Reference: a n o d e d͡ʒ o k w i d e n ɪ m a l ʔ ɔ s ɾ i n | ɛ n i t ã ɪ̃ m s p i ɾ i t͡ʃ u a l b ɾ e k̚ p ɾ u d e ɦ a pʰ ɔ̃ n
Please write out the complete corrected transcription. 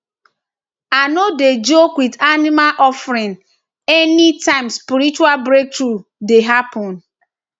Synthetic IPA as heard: a n o d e d͡ʒ o k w i d a n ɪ m a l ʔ ɔ f ɾ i n | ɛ n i t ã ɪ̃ m s p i ɾ i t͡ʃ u a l b ɾ e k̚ t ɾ u d e ɦ a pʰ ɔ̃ n